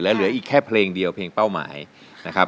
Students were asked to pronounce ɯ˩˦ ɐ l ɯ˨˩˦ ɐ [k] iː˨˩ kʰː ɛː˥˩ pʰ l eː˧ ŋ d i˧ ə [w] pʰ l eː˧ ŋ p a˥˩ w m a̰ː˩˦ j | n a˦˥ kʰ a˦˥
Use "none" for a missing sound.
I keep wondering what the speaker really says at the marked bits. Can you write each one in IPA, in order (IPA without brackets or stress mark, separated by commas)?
ʔ, w